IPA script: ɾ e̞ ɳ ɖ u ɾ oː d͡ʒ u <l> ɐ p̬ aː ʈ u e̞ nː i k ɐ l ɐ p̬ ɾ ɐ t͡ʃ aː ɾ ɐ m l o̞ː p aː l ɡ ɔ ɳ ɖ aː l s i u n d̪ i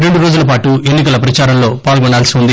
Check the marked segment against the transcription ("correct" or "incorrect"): correct